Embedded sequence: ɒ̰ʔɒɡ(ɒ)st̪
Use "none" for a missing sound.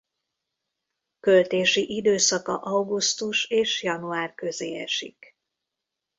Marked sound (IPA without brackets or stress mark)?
u